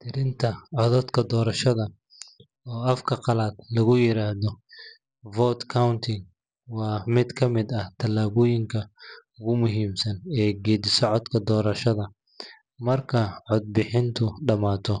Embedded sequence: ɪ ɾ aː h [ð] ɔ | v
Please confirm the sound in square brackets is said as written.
yes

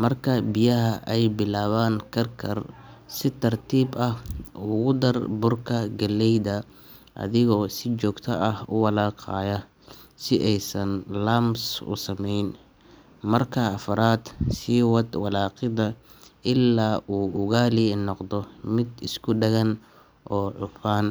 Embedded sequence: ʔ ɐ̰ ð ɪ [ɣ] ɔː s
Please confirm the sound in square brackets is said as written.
yes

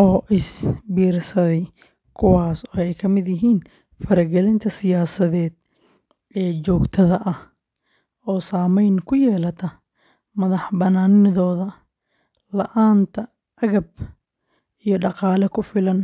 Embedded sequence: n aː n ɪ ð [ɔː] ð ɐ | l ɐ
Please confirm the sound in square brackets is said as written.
yes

